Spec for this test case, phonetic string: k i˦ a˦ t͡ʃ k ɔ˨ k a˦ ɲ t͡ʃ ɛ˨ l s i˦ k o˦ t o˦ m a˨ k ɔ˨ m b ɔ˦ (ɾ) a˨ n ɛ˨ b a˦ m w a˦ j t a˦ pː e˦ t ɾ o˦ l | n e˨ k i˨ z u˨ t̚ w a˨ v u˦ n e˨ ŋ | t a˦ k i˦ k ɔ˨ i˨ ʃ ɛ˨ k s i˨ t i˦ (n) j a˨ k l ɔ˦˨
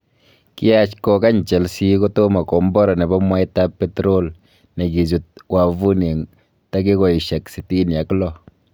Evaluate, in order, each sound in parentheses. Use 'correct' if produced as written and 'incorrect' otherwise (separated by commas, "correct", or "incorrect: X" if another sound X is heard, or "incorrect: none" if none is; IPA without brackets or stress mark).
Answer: correct, correct